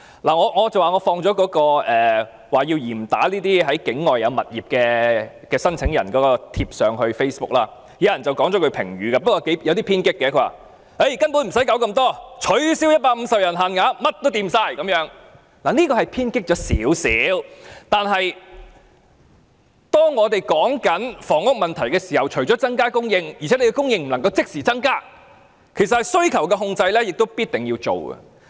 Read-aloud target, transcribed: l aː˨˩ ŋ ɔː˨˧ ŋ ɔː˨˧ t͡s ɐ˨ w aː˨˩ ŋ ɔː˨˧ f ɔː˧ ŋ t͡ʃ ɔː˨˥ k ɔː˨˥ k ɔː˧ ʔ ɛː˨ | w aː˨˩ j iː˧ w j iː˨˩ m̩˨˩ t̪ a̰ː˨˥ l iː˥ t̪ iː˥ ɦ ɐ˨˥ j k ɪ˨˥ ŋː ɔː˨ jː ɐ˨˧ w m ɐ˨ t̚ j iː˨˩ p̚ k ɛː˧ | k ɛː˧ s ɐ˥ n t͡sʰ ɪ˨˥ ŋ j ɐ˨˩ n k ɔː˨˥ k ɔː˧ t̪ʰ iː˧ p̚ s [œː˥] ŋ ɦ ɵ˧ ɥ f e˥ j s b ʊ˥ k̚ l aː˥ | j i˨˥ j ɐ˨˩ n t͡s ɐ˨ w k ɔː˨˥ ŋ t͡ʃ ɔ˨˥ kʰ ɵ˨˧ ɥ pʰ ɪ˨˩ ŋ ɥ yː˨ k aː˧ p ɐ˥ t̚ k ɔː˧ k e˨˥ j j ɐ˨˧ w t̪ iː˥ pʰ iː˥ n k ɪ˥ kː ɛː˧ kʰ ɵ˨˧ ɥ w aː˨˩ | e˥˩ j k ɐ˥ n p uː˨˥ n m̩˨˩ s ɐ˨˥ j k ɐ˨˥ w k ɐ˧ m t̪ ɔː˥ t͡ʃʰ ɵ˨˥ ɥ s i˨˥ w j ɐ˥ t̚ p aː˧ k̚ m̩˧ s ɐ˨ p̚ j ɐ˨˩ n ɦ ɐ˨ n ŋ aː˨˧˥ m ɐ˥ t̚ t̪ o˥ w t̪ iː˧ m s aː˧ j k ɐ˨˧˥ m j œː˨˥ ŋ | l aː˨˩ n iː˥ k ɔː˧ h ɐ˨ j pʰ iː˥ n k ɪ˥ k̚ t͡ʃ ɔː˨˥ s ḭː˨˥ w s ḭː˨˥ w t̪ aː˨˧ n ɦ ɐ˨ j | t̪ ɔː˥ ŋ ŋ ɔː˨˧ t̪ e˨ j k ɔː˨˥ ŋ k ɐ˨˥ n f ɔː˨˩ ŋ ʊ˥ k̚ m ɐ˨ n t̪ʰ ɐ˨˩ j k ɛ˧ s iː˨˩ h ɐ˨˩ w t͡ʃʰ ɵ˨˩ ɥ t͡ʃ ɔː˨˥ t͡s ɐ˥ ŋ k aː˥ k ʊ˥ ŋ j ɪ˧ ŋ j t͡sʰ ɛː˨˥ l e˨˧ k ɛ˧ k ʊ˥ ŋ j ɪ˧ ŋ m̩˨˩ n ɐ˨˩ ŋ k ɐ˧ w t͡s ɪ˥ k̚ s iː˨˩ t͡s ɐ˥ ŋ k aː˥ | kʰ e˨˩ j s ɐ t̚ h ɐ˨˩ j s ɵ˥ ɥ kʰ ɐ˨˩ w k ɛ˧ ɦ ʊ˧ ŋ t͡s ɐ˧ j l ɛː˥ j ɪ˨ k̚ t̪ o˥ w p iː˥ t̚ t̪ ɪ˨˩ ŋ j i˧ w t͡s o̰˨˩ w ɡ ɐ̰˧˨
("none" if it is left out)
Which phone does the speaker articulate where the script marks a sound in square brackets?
œː˨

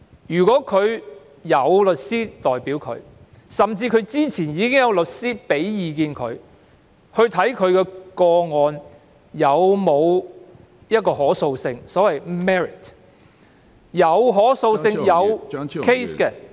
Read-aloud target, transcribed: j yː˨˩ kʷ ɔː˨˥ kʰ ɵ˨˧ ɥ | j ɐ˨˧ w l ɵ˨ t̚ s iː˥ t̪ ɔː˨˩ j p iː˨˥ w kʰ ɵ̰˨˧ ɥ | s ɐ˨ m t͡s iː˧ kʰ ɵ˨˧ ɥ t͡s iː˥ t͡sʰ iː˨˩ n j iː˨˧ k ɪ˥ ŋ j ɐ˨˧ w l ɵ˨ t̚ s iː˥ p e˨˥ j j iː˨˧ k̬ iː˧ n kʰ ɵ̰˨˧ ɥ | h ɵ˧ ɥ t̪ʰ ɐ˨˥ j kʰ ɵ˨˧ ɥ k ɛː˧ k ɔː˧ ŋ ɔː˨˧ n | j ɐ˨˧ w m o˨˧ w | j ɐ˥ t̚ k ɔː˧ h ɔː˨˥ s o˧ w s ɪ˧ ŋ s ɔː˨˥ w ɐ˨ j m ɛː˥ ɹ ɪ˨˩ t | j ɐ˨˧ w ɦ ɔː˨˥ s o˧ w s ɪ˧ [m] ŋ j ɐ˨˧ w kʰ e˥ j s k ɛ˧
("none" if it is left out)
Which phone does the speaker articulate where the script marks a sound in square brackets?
ŋ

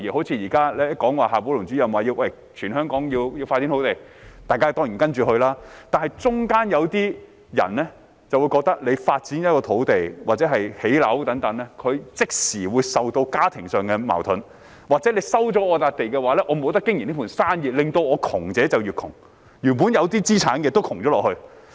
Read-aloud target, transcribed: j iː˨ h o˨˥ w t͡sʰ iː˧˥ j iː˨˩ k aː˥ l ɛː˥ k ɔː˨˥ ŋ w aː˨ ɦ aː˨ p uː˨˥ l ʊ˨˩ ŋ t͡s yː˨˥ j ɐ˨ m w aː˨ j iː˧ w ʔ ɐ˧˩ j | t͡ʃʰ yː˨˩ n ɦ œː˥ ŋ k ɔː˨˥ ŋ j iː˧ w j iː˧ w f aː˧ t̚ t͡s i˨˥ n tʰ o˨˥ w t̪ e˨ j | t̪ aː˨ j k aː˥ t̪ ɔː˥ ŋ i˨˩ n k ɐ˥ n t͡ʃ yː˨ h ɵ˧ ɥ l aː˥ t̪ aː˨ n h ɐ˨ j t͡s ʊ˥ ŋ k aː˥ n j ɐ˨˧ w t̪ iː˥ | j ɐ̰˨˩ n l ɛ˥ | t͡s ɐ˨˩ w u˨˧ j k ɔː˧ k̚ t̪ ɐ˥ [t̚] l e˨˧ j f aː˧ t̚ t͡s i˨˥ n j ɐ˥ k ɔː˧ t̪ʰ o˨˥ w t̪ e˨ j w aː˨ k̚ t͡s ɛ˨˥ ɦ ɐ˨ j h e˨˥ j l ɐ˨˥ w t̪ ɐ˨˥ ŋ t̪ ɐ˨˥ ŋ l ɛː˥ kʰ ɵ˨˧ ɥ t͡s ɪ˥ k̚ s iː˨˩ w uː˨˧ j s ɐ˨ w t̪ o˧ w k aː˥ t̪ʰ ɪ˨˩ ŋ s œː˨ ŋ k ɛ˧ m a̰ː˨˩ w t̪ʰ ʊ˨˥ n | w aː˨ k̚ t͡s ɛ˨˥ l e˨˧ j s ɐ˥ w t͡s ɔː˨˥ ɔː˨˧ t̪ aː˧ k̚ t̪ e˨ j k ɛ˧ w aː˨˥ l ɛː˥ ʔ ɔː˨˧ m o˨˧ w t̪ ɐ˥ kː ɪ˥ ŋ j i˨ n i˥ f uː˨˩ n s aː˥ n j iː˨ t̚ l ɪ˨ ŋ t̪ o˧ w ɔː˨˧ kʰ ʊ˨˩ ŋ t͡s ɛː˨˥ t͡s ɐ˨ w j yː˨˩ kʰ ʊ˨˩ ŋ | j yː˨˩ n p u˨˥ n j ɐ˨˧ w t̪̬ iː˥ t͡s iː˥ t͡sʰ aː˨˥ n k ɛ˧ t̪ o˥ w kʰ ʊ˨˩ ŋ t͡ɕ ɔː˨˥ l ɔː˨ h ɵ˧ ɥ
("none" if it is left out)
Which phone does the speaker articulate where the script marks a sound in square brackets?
k̚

